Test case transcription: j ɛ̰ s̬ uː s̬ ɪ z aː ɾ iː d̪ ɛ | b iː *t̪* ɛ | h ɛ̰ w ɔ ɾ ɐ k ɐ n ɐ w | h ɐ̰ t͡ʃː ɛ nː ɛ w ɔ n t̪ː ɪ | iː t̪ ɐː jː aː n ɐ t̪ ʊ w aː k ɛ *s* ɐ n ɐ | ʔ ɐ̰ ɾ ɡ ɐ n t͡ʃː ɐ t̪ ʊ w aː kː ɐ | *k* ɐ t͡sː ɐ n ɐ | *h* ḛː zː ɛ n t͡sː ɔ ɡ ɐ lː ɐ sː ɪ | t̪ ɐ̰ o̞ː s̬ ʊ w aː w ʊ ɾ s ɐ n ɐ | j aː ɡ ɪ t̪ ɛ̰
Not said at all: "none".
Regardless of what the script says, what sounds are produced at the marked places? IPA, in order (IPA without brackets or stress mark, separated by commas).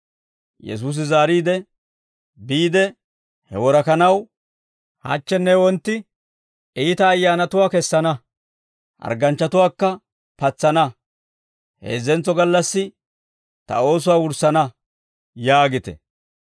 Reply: d̪, sː, p, h